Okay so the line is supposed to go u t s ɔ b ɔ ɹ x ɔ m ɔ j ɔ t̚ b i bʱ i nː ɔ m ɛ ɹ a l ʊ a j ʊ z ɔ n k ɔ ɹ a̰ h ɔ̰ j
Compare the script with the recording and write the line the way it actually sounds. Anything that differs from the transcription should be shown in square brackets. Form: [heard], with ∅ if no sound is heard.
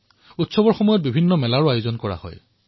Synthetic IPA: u t s ɔ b ɔ ɹ x ɔ m ɔ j ɔ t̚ b i bʱ i nː ɔ m ɛ [l] a [ɹ] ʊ a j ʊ z ɔ n k ɔ ɹ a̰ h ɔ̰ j